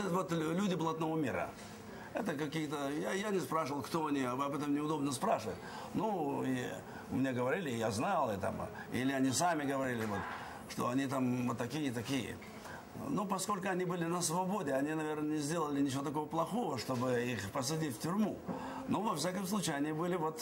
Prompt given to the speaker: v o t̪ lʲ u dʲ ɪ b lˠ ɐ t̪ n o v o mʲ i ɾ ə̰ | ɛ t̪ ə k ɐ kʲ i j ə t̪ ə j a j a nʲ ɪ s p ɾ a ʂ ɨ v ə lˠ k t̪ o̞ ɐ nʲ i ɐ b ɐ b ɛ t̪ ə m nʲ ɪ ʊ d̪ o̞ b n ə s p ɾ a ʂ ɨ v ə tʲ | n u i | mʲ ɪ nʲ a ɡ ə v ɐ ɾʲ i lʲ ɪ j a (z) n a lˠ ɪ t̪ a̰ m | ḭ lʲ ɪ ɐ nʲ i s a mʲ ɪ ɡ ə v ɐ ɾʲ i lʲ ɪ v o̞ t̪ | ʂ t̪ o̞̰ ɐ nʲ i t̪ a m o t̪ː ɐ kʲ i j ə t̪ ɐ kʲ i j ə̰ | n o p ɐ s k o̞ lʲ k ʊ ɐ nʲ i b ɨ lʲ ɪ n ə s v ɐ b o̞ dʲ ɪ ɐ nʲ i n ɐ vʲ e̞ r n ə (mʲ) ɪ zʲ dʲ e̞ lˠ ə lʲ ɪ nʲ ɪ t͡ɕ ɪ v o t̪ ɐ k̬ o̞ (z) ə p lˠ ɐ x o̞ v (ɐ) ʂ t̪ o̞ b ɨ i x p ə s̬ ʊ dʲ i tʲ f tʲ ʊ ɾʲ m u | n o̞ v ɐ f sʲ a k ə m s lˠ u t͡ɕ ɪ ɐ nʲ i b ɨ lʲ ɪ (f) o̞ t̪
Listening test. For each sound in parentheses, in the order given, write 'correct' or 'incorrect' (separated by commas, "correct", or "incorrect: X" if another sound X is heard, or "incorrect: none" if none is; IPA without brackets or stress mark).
correct, incorrect: nʲ, incorrect: v, incorrect: ə, incorrect: v